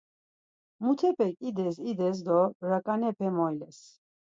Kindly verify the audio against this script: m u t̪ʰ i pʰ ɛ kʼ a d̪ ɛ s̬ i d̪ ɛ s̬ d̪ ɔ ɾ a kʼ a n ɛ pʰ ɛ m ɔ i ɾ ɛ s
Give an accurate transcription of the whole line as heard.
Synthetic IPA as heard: m u t̪ʰ ɛ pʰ ɛ kʼ i d̪ ɛ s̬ i d̪ ɛ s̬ d̪ ɔ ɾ a kʼ a n ɛ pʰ ɛ m ɔ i l ɛ s